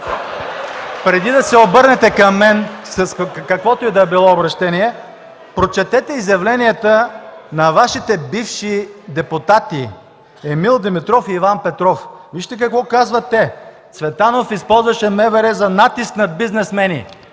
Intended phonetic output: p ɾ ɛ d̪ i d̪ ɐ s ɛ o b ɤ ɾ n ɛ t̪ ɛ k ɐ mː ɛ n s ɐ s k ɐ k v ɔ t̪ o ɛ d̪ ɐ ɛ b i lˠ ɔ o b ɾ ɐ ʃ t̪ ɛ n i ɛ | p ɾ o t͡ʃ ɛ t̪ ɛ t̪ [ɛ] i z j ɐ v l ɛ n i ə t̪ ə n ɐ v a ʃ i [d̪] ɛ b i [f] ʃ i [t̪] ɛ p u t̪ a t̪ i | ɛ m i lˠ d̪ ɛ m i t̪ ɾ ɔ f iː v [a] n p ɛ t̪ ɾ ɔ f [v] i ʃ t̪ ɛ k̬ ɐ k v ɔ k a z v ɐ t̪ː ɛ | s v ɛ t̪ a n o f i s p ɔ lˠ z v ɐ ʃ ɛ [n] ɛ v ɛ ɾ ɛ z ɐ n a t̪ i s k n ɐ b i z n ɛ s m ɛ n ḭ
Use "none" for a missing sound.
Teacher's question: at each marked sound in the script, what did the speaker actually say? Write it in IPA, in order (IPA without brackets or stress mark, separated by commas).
ɛ, t̪, f, d̪, a, v, m